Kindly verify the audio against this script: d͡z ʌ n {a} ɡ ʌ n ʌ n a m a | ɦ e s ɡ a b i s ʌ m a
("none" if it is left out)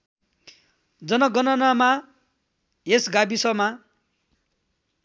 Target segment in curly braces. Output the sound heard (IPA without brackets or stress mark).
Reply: ʌ